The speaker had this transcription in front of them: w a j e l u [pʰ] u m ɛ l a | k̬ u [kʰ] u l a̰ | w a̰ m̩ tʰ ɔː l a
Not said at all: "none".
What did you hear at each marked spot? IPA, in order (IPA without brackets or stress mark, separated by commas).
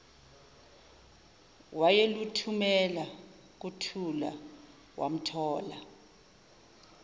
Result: tʰ, tʰ